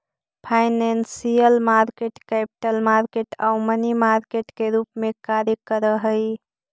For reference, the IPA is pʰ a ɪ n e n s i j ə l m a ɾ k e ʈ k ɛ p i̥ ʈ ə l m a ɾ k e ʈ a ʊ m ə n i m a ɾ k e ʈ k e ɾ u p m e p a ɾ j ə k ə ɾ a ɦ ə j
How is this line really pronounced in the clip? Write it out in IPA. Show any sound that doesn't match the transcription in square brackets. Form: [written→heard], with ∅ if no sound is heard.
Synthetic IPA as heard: pʰ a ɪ n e n s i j ə l m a ɾ k e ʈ k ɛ p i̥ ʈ ə l m a ɾ k e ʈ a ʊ m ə n i m a ɾ k e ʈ k e ɾ u p m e [p→k] a ɾ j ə k ə ɾ [a→ə] ɦ ə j